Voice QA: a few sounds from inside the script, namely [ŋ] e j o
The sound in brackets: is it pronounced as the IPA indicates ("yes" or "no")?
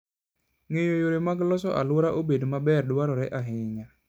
yes